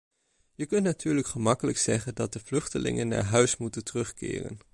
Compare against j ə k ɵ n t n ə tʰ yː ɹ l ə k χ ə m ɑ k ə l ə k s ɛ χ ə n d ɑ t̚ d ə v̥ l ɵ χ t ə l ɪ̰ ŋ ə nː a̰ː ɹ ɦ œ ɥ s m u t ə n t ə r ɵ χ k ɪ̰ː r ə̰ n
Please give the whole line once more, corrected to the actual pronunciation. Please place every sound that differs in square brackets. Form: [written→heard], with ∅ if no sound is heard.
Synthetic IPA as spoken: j ə k ɵ n t n [ə→a] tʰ yː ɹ l ə k χ ə m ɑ k ə l ə k s ɛ χ ə n d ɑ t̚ d ə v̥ l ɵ χ t ə l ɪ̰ ŋ ə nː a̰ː ɹ ɦ œ ɥ s m u t ə n t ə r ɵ χ k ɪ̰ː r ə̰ n